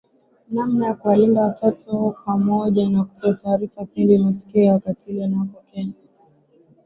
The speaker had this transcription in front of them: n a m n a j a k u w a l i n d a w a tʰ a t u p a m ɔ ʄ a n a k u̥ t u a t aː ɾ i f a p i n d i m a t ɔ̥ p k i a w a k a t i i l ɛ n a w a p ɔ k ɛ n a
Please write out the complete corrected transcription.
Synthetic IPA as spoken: n a m n a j a k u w a l i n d a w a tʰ a t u p a m ɔ ʄ a n a k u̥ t ɔ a t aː ɾ i f a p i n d i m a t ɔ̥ k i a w a k a t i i l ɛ n a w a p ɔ k ɛ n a